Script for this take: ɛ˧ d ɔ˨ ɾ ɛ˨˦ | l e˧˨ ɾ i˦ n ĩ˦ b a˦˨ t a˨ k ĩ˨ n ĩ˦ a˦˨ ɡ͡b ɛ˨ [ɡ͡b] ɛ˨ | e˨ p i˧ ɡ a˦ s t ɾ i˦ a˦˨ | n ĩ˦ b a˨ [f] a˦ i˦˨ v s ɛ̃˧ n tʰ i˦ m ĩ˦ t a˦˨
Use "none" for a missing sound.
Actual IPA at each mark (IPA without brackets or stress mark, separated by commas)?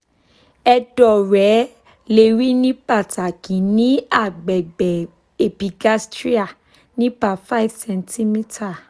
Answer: ɡ͡b, f